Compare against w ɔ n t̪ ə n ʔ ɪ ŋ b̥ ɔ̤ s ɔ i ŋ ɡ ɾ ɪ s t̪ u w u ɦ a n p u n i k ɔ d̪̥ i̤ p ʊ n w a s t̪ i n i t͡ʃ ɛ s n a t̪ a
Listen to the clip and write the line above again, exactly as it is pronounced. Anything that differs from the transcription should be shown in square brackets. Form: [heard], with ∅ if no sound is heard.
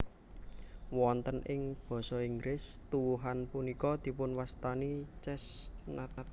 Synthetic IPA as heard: w ɔ n t̪ ə n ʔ ɪ ŋ b̥ ɔ̤ s ɔ i ŋ ɡ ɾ ɪ s t̪ u w u ɦ a n p u n i k ɔ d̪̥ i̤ p ʊ n w a s t̪ [a] n i t͡ʃ ɛ s n a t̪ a